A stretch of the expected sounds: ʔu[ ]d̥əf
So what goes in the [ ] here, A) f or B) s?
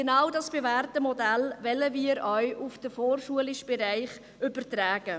A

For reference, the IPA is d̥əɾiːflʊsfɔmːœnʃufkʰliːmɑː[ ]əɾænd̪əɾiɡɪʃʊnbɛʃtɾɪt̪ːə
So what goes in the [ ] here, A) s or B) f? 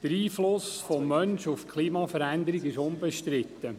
B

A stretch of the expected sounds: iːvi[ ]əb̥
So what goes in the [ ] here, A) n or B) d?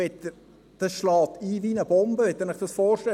A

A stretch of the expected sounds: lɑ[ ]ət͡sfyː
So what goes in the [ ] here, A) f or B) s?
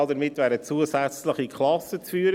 B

